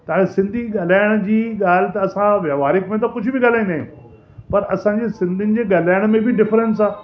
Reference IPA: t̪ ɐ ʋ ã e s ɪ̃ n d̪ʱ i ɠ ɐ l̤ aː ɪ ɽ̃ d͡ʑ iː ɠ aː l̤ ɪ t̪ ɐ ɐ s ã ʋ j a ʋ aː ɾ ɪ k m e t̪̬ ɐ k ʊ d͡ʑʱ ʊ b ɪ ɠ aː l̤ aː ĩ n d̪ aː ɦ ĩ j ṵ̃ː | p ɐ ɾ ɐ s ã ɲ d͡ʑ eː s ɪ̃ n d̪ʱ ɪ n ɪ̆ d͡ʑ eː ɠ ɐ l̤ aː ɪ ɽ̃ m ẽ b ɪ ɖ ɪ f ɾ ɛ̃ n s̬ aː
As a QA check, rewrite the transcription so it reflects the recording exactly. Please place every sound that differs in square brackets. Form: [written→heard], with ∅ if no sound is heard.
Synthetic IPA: t̪ ɐ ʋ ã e s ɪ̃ n d̪ʱ i ɠ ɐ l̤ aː ɪ ɽ̃ d͡ʑ iː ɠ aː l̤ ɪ t̪ ɐ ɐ s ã ʋ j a ʋ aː ɾ ɪ k m [e→ẽ] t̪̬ ɐ k ʊ d͡ʑʱ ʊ b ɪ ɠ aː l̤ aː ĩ n d̪ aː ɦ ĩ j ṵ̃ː | p ɐ ɾ ɐ s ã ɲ d͡ʑ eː s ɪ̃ n d̪ʱ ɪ n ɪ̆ d͡ʑ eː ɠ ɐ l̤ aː ɪ ɽ̃ m ẽ b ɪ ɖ ɪ f ɾ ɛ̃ n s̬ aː